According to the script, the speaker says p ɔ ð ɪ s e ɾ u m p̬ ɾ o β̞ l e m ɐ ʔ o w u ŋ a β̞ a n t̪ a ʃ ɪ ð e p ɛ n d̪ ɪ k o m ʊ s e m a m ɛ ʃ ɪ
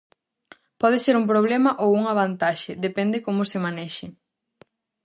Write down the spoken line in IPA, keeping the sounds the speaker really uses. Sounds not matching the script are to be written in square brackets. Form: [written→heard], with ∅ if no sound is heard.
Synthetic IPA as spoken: p ɔ ð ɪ s e ɾ u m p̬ ɾ o β̞ l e m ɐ ʔ o w u ŋ a β̞ a n t̪ a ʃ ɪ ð e p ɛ n d̪ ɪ k o m ʊ s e m a [m→n] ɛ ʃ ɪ